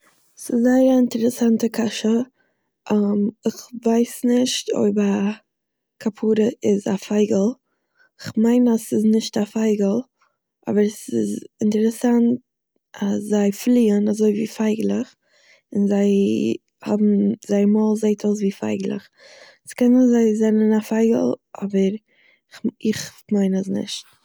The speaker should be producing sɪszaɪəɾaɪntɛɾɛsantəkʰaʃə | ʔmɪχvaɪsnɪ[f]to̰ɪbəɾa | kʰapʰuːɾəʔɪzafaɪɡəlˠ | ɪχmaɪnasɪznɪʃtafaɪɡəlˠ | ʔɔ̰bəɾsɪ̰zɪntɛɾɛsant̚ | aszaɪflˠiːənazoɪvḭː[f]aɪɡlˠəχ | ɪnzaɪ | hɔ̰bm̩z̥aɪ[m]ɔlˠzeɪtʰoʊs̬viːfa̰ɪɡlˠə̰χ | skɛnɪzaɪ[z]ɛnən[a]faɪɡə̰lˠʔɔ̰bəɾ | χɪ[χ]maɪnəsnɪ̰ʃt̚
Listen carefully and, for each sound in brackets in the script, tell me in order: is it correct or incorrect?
incorrect: ʃ, correct, correct, correct, correct, correct

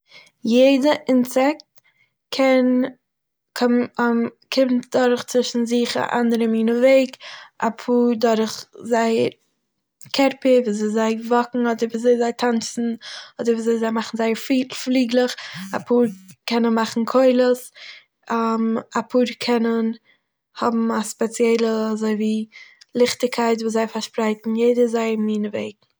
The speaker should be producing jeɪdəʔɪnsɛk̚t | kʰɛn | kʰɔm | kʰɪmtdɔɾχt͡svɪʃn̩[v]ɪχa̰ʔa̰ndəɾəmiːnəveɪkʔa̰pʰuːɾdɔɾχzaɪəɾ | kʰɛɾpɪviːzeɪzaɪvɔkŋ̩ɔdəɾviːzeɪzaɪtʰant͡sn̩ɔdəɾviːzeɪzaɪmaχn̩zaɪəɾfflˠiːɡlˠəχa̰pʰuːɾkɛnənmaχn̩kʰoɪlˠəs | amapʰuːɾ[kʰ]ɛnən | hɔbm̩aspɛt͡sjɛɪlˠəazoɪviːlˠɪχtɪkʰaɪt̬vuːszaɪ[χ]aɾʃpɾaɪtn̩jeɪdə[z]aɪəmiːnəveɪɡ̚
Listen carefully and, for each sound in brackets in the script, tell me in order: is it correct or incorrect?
incorrect: z, correct, incorrect: f, correct

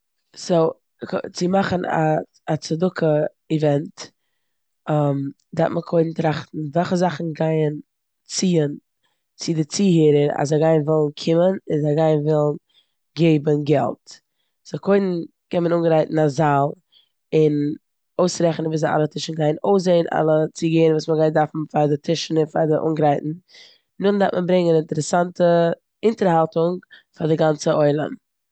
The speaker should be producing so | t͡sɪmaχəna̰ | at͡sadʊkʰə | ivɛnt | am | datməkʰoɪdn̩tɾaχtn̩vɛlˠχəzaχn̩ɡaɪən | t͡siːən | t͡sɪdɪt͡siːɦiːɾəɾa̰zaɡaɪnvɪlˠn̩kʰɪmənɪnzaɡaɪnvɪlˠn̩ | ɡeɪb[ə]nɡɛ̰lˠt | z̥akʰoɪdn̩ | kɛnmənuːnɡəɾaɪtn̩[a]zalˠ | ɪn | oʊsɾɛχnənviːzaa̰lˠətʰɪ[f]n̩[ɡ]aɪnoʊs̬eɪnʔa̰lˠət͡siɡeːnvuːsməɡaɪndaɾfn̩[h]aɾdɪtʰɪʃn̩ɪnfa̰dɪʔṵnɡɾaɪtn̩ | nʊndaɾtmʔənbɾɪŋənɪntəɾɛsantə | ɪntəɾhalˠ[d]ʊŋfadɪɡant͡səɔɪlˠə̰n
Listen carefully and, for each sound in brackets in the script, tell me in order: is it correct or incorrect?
correct, correct, incorrect: ʃ, correct, incorrect: f, incorrect: t

